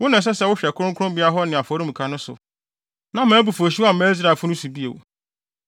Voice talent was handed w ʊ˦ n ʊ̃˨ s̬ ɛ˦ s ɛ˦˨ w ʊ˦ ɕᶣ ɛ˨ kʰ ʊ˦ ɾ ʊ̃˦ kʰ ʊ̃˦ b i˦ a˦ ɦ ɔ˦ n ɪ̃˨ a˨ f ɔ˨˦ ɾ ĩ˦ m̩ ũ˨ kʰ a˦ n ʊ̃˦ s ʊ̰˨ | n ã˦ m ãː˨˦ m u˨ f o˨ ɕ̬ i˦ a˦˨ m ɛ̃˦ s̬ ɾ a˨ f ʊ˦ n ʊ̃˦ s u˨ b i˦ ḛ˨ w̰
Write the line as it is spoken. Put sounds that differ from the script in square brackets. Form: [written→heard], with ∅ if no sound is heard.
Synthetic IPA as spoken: w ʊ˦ n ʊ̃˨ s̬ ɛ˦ s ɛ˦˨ w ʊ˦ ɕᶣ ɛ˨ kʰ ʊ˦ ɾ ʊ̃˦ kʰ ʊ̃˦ b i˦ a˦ ɦ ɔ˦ n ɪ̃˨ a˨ f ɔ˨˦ ɾ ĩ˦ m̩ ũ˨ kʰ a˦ n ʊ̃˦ s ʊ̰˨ | n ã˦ m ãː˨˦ [m→b] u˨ f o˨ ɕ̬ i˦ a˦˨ m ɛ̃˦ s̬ ɾ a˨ f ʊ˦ n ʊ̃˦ s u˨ b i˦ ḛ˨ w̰

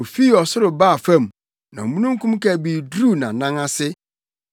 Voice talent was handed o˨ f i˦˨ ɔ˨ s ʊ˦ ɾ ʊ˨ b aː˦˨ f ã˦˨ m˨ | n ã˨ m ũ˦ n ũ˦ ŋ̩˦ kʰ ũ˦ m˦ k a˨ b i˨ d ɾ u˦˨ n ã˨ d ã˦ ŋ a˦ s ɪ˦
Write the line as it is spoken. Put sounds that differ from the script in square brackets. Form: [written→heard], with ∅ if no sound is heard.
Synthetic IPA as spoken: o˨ f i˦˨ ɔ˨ s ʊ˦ ɾ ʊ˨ b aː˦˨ f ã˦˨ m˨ | n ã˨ m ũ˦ n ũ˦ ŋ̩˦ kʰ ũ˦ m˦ k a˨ b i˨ d ɾ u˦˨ n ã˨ [d→n] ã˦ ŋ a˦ s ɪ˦

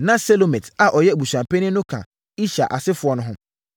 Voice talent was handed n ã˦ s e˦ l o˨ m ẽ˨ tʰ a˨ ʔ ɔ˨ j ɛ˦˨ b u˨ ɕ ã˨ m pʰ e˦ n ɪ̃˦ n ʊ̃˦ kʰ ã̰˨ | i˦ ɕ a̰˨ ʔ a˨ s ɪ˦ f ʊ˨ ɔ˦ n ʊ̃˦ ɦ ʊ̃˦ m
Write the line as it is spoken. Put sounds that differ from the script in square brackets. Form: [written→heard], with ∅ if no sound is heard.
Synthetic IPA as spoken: n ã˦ s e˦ l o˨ m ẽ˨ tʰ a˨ ʔ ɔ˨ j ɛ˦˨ b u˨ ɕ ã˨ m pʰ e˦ n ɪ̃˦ n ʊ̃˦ kʰ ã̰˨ | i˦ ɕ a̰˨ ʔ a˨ s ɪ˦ f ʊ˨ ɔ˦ n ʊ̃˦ ɦ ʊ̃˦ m

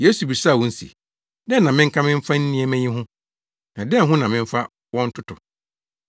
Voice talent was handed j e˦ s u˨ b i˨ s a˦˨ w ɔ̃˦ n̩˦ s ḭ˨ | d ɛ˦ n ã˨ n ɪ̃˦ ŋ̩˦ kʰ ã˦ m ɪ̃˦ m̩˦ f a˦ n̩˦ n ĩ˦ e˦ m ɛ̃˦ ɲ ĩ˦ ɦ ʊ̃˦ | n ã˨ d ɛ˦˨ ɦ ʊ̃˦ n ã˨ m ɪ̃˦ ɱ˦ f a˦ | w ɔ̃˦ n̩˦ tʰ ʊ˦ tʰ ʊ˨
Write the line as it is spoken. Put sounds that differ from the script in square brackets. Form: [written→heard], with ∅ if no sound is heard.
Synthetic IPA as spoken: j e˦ s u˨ b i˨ s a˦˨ w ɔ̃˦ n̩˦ s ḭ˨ | d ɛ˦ n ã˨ [n→m] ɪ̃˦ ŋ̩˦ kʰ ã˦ m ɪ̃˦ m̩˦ f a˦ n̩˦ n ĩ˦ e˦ m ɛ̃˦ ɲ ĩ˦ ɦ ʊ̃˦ | n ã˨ d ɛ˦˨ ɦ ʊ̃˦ n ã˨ m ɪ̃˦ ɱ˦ f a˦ | w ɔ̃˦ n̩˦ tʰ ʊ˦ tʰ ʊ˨

